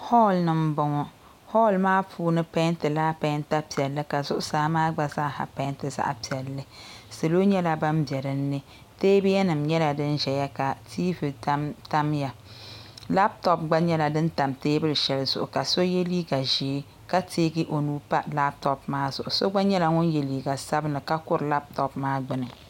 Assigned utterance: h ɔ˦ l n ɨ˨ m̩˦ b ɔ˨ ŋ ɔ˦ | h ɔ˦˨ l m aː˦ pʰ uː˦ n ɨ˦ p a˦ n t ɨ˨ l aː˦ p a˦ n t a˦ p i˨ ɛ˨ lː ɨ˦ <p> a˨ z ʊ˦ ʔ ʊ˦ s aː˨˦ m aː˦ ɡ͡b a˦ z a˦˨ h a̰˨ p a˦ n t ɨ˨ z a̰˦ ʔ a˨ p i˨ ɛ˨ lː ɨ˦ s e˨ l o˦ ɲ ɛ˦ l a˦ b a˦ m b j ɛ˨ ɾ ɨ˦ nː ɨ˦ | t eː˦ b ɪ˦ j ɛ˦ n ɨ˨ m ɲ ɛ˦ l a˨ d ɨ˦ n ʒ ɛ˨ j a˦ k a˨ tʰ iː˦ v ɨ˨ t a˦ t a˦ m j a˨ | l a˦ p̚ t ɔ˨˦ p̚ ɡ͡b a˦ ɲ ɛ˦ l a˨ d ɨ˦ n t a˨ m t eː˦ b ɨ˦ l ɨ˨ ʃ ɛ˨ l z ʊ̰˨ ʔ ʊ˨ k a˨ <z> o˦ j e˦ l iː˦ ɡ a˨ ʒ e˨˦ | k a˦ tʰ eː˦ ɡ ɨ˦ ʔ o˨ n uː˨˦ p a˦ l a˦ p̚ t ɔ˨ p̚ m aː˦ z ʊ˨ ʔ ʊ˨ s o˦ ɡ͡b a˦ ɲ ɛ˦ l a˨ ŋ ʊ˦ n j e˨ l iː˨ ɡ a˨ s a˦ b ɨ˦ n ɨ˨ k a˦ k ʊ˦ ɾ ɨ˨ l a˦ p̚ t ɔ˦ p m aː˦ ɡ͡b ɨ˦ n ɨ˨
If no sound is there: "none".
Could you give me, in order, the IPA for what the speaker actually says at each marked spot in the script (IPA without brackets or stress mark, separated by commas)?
k, s